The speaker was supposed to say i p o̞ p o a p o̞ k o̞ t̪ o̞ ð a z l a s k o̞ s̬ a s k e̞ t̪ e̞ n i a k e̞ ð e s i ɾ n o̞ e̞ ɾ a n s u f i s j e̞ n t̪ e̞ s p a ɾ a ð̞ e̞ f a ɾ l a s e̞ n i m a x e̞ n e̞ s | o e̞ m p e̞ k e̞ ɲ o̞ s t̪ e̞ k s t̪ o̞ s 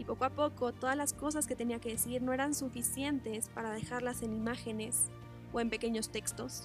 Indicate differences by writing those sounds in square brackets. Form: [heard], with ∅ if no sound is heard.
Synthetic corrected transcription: i p o̞ [k] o a p o̞ k o̞ t̪ o̞ ð a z l a s k o̞ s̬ a s k e̞ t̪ e̞ n i a k e̞ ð e s i ɾ n o̞ e̞ ɾ a n s u f i s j e̞ n t̪ e̞ s p a ɾ a ð̞ e̞ [x] a ɾ l a s e̞ n i m a x e̞ n e̞ s | o e̞ m p e̞ k e̞ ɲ o̞ s t̪ e̞ k s t̪ o̞ s